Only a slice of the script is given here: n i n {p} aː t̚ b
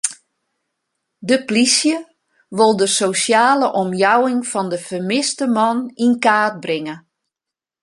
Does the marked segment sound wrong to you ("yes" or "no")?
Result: yes